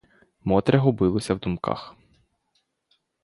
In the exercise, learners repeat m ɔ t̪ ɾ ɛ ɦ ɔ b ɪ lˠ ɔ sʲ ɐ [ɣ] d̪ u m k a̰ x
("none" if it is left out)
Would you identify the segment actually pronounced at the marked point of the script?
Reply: w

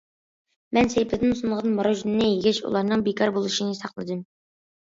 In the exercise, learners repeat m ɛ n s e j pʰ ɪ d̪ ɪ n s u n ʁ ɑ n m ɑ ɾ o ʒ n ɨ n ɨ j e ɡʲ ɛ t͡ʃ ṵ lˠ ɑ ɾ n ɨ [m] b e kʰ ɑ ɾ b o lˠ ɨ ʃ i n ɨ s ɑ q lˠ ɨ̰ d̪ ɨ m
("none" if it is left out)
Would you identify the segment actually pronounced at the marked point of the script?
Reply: ŋ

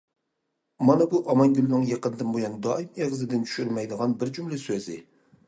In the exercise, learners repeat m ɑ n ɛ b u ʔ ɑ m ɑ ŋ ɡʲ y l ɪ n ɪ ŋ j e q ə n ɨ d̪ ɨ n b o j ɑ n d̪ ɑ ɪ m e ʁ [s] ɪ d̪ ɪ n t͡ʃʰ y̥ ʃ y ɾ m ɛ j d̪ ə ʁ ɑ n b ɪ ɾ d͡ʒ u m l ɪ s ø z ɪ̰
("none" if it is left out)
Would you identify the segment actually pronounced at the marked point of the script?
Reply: z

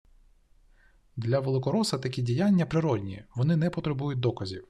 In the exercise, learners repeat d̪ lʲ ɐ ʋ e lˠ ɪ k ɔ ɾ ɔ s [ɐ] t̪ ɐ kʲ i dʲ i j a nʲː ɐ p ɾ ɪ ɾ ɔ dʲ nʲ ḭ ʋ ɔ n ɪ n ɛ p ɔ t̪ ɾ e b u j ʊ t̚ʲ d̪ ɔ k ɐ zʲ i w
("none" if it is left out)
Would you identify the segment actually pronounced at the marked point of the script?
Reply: ɐ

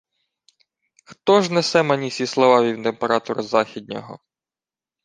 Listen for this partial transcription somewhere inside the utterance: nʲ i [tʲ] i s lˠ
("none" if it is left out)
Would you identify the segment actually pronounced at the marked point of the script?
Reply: sʲ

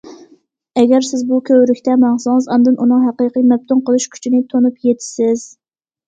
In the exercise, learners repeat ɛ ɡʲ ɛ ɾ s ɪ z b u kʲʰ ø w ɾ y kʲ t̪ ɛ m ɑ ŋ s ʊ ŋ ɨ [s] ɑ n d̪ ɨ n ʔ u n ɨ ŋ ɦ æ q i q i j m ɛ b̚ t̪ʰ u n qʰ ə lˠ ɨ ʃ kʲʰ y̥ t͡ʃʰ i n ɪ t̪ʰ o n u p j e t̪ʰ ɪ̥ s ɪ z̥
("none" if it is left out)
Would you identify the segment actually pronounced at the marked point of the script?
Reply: z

